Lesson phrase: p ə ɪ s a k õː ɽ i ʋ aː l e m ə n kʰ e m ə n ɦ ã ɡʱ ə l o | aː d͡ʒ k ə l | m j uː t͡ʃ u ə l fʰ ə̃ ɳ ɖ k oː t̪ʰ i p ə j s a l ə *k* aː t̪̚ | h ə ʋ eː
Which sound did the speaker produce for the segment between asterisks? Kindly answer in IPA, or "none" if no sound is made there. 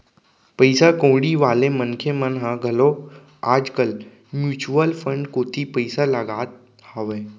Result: ɡ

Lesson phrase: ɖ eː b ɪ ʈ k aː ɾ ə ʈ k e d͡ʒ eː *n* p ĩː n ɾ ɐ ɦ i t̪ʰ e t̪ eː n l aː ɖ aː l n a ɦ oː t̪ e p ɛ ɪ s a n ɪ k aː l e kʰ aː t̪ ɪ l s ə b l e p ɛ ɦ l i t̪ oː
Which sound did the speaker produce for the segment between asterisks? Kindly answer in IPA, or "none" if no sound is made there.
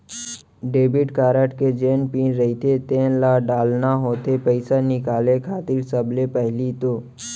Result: n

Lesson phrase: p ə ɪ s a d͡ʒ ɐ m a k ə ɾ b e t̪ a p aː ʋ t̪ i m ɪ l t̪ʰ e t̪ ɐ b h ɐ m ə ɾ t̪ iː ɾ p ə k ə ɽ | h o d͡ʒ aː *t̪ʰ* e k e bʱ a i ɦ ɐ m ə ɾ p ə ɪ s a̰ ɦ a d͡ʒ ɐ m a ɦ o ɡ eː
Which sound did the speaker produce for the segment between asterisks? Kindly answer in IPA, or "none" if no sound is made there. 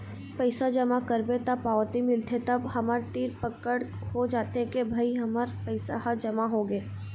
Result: t̪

